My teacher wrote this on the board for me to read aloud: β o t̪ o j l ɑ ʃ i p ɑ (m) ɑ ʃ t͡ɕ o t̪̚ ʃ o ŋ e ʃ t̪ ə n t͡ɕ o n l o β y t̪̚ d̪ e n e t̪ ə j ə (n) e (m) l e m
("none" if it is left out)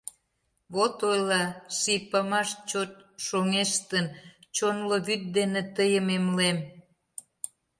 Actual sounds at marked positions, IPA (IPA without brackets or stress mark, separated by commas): m, m, m